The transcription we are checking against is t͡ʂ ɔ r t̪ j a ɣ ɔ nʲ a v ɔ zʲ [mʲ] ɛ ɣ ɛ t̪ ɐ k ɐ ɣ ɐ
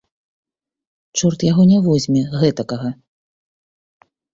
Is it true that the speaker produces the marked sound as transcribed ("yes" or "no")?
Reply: yes